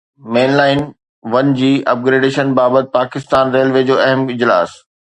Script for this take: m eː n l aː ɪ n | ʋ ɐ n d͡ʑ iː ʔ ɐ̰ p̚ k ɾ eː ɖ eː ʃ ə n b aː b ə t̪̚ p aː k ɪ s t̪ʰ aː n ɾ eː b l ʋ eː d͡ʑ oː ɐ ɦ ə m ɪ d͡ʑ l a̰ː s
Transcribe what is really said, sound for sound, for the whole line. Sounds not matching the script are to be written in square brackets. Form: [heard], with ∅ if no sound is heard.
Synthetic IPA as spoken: m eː n l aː ɪ n | ʋ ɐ n d͡ʑ iː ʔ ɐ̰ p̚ [ɡ] ɾ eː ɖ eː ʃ ə n b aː b ə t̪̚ p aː k ɪ s [t̪] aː n ɾ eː [∅] l ʋ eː d͡ʑ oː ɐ ɦ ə m ɪ d͡ʑ l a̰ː s